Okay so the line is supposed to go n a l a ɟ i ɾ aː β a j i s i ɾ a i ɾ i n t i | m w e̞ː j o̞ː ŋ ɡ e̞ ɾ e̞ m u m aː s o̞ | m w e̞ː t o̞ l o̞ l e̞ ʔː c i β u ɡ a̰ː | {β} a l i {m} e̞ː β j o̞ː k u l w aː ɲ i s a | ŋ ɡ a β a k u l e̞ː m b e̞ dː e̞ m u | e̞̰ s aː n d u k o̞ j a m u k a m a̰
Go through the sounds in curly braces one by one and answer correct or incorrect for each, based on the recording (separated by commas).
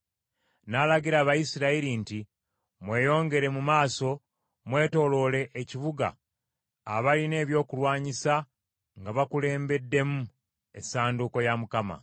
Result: correct, incorrect